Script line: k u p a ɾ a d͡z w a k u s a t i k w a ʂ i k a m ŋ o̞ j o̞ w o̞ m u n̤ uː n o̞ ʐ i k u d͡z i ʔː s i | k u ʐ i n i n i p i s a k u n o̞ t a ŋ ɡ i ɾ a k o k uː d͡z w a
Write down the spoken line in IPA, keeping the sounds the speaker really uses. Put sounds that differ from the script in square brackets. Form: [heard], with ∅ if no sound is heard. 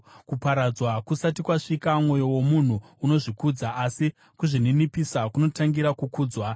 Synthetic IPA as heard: k u p a ɾ a d͡z w a k u s a t i k w a ʂ i k a m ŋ o̞ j o̞ w o̞ m u n̤ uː n o̞ ʐ i k u d͡z [a] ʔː s i | k u ʐ i n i n i p i s a k u n o̞ t a ŋ ɡ i ɾ a k [u] k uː d͡z w a

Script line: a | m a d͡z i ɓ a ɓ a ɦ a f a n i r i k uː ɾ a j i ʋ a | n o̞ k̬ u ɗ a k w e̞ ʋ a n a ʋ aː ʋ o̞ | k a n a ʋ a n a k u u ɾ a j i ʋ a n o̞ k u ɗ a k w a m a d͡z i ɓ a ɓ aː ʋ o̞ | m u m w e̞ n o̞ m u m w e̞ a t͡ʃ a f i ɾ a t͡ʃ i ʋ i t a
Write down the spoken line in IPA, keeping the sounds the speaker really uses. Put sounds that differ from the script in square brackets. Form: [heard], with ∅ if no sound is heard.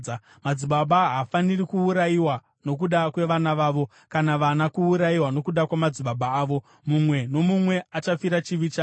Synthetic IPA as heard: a | m a d͡z i ɓ a ɓ a ɦ a f a n i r i k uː ɾ a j i [w] a | n o̞ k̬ u ɗ a k w e̞ ʋ a n a ʋ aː ʋ o̞ | k a n a ʋ a n a k u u ɾ a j i [w] a n o̞ k u ɗ a k w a m a d͡z i ɓ a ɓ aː ʋ o̞ | m u m w e̞ n o̞ m u m w e̞ a t͡ʃ a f i ɾ a t͡ʃ i ʋ i [t͡ʃ] a

